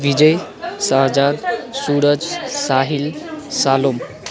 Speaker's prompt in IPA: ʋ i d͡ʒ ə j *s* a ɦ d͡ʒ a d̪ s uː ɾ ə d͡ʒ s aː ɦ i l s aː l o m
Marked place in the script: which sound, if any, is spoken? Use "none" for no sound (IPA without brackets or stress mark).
s